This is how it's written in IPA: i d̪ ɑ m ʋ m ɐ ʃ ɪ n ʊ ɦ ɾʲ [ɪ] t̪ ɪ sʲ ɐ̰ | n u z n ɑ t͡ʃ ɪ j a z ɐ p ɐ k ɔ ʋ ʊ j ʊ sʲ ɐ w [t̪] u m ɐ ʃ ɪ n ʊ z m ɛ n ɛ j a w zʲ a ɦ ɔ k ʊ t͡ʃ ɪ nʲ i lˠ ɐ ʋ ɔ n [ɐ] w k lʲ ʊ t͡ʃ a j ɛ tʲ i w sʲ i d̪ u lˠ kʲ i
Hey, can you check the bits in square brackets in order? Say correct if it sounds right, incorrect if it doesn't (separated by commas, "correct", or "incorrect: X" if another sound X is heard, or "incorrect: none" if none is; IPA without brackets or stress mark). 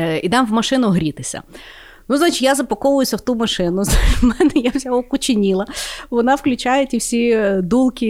incorrect: i, correct, incorrect: ɑ